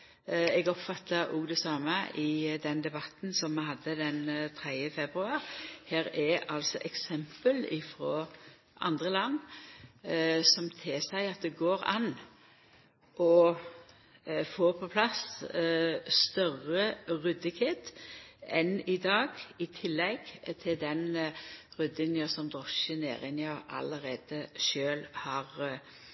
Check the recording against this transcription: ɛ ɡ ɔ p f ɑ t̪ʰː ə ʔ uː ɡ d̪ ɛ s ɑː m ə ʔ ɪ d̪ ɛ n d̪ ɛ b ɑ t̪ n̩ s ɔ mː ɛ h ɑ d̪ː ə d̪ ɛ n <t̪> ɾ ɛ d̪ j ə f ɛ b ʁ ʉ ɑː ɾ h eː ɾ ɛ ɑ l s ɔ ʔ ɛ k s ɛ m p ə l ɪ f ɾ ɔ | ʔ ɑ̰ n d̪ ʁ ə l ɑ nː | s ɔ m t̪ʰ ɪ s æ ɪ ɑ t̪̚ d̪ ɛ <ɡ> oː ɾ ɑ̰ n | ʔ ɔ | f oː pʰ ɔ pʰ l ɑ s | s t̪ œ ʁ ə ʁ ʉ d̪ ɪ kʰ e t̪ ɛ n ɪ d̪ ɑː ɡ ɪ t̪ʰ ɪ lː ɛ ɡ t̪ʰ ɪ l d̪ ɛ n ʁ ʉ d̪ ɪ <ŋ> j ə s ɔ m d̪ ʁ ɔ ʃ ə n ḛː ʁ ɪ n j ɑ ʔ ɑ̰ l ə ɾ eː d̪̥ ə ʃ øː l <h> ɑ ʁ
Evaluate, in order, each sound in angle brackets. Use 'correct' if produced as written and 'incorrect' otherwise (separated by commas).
incorrect, correct, incorrect, correct